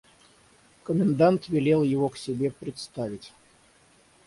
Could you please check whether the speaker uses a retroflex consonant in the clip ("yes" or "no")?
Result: no